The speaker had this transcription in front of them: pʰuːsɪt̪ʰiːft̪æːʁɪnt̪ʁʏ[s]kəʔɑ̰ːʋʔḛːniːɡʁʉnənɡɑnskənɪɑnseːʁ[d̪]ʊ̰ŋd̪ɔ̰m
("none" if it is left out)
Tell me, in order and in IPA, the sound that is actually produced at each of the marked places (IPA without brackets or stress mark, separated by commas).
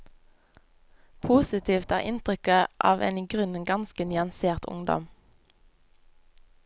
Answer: none, t̪